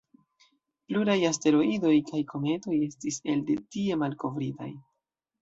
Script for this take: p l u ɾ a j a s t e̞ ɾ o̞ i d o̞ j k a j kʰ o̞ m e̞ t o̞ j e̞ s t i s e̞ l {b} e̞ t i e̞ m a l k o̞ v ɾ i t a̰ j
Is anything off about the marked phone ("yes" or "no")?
yes